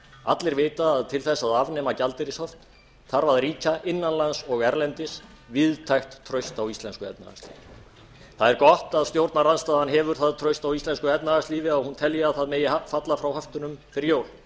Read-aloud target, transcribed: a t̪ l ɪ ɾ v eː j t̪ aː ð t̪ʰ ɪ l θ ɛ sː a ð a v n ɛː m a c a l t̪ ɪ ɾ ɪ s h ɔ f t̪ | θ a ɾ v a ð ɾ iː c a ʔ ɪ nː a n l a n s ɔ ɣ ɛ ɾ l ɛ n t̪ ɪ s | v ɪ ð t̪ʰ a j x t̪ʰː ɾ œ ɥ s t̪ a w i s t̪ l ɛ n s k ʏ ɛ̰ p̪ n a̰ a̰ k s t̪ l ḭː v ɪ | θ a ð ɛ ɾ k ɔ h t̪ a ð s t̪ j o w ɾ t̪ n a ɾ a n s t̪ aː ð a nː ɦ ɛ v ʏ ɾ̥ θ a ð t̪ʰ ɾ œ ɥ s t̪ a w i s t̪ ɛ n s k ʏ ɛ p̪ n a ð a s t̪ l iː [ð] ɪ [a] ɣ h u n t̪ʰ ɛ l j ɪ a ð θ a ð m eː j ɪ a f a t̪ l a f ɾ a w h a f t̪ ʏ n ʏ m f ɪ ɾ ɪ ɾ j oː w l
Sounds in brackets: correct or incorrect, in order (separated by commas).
incorrect, correct